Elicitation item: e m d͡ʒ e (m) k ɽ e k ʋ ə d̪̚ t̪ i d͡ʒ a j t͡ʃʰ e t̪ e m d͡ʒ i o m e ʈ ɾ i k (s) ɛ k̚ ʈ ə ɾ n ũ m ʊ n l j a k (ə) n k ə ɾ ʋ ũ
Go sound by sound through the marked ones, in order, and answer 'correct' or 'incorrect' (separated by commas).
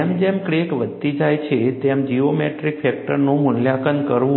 correct, incorrect, correct